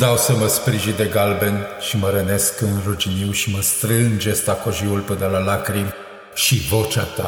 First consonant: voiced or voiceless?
voiced